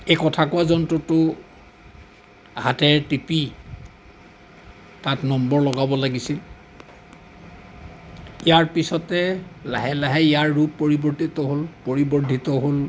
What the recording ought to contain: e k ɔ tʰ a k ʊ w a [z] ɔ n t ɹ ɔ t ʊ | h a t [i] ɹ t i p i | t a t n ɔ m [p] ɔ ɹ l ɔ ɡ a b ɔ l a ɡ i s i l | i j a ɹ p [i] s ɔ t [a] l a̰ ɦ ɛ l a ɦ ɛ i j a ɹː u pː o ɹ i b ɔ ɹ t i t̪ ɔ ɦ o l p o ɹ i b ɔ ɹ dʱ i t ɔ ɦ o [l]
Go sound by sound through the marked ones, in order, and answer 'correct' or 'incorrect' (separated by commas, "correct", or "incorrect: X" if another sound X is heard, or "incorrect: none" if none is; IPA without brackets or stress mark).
correct, incorrect: ɛ, incorrect: b, correct, incorrect: ɛ, correct